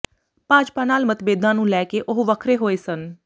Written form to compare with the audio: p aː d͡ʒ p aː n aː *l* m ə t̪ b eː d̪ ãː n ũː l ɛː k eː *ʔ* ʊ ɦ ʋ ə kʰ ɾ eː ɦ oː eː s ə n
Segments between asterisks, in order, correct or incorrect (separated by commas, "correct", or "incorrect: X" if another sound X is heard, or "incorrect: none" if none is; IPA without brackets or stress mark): correct, correct